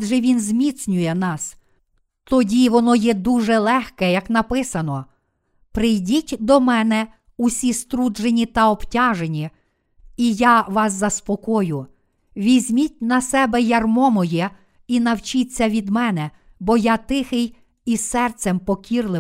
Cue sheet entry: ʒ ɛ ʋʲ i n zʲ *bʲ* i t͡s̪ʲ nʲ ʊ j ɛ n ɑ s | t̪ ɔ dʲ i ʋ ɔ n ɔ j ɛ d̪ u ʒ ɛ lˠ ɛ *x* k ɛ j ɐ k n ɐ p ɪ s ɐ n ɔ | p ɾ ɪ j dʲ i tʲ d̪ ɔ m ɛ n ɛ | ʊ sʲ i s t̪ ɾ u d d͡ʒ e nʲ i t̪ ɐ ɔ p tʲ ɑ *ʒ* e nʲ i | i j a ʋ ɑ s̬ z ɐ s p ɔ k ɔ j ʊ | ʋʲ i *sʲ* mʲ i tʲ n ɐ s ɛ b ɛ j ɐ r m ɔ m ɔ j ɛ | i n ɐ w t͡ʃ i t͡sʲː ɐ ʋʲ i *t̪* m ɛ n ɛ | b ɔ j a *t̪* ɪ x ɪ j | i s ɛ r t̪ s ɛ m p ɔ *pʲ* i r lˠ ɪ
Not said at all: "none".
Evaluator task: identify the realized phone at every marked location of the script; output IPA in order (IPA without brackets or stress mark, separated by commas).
mʲ, x, ʒ, zʲ, d̪, t̪, kʲ